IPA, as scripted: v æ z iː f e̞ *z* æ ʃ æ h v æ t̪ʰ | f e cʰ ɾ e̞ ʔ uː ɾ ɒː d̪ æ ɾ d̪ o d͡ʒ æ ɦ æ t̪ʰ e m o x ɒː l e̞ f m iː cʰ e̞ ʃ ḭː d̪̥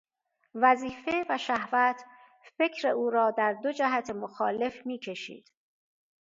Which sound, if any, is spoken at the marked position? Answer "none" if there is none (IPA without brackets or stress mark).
v